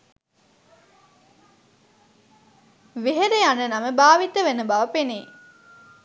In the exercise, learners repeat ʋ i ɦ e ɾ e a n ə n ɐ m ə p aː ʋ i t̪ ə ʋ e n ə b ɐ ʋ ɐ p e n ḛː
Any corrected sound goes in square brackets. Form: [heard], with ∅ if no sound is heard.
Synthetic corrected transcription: ʋ [e] ɦ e ɾ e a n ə n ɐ m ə [b] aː ʋ i t̪ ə ʋ e n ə b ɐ ʋ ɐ p e n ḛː

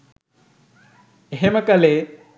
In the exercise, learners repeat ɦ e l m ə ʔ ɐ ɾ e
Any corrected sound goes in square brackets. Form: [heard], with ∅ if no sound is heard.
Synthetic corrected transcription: ɦ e [∅] m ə [k] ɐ [l] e

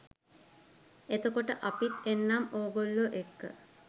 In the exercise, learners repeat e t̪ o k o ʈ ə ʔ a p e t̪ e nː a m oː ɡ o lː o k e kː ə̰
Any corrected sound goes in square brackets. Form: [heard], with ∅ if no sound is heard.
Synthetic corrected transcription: e t̪ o k o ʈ ə ʔ a p [i] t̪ e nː a m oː ɡ o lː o [ʔ] e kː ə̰

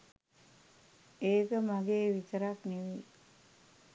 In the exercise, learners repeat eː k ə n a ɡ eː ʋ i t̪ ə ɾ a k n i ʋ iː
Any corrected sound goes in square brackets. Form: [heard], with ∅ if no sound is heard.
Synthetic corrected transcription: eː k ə [m] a ɡ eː ʋ i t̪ ə ɾ a k n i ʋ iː

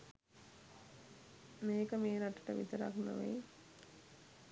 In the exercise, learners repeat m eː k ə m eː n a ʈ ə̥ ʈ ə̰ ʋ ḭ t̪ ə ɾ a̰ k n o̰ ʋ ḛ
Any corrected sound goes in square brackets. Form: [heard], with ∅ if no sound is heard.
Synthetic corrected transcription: m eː k ə m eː n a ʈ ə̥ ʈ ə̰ ʋ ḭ t̪ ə ɾ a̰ k n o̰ ʋ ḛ

